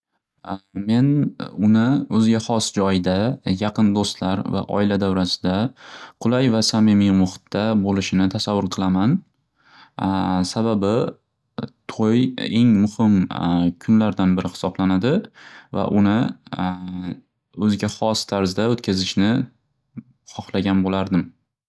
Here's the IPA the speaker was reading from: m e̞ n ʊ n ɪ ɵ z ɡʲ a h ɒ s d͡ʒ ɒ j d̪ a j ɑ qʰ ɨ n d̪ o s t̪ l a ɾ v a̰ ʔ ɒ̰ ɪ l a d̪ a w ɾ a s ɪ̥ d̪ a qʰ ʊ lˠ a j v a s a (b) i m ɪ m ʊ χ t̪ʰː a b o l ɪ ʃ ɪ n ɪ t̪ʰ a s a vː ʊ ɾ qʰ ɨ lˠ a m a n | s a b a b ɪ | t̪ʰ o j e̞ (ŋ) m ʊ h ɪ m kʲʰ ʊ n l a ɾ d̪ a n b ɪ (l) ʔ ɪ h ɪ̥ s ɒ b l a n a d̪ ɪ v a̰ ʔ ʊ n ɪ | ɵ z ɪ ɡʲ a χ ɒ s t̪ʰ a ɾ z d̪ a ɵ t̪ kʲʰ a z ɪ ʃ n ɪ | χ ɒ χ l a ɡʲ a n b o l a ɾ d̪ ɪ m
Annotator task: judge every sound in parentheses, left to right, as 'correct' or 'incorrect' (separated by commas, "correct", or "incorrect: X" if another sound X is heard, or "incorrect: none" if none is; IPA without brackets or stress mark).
incorrect: m, correct, incorrect: ɾ